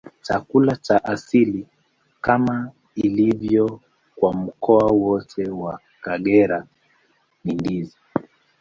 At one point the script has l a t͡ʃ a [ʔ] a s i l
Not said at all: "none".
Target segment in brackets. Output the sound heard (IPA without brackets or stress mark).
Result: ʔ